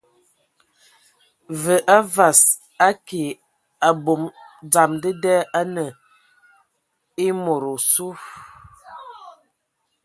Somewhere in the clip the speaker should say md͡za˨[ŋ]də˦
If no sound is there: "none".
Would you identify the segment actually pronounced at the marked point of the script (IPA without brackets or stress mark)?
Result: m